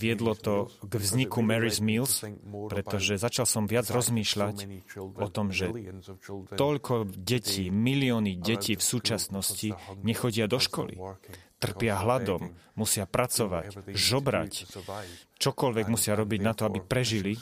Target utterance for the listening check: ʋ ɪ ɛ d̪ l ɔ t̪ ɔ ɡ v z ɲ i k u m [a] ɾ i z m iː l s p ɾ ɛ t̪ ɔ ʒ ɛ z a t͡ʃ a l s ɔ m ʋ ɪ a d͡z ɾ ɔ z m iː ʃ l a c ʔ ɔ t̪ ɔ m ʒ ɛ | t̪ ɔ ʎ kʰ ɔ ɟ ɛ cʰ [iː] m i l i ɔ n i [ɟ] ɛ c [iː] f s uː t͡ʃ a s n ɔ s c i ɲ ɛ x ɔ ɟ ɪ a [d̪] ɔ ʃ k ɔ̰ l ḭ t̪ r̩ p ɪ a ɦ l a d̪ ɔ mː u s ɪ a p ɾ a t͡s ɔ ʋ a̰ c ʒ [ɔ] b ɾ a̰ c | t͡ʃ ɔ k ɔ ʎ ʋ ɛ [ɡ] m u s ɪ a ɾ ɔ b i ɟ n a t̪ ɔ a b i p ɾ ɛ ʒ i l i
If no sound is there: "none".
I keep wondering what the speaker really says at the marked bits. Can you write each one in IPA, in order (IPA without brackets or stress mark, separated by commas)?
ɛ, iː, ɟ, iː, d̪, ɔ, ɡ